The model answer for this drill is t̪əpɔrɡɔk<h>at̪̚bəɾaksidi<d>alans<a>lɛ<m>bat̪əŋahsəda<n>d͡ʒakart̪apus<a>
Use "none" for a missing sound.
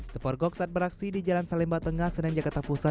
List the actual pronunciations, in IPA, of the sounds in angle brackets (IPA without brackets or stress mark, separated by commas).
s, d͡ʒ, a, m, ŋ, a